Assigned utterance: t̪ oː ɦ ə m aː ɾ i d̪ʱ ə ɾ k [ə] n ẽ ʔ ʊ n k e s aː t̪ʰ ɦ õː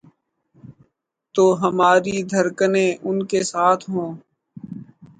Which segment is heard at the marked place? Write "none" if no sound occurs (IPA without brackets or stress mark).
ə